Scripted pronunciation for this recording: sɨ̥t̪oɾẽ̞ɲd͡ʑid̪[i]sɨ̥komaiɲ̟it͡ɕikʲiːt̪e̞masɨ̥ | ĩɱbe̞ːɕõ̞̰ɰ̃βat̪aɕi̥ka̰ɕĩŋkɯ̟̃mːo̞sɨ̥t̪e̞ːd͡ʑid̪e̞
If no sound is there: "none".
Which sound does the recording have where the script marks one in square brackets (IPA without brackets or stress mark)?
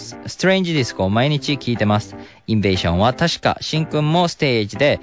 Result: i